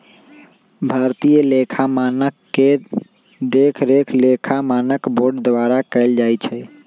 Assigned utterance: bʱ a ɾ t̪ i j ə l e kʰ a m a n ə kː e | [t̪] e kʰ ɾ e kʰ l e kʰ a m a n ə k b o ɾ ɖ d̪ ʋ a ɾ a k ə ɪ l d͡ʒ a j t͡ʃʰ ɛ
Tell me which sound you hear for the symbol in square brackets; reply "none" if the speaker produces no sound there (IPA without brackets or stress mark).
d̪